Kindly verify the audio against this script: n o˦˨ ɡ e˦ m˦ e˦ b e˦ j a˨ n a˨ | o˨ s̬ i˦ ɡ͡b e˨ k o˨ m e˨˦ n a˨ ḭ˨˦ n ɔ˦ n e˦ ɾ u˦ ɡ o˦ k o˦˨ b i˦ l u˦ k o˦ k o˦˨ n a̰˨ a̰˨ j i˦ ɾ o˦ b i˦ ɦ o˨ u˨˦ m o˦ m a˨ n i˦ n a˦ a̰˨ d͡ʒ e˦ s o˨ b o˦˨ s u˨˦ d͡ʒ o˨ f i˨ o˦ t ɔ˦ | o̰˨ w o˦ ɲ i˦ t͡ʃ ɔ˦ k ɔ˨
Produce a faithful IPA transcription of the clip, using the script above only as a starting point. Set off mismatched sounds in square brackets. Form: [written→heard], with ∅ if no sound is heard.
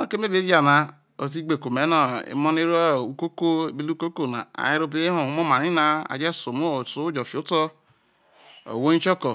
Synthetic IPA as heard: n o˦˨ [ɡ→k] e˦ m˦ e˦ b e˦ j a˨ n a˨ | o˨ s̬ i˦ ɡ͡b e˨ k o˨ m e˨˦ n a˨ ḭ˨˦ [n→m] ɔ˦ n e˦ ɾ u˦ [ɡ→k] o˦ k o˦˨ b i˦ l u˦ k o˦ k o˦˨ n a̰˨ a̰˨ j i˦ ɾ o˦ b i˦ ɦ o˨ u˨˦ m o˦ m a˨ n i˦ n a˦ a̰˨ d͡ʒ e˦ s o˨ [b→m] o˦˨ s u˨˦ d͡ʒ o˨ f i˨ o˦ t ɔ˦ | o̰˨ w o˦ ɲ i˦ t͡ʃ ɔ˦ k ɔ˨